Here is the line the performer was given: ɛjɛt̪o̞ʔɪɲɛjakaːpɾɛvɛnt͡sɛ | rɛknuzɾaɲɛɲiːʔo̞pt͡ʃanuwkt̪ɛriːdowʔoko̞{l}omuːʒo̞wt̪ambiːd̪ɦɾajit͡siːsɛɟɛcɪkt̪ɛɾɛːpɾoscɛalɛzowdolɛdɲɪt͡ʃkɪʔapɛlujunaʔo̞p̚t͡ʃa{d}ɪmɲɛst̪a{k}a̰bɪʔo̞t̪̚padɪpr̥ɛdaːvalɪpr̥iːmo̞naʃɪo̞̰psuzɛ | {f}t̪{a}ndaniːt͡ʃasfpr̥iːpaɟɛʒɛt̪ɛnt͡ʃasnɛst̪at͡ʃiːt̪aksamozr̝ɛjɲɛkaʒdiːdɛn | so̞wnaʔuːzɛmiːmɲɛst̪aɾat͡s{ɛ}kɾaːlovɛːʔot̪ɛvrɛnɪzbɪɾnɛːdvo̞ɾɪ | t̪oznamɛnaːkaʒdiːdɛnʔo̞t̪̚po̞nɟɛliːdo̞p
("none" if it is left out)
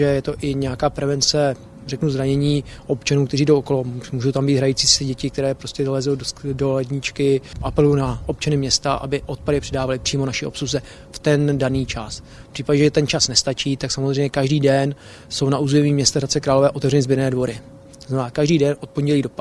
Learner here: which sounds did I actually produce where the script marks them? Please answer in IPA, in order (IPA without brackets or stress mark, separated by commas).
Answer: l, n, ʔ, f, ɛ, ɛ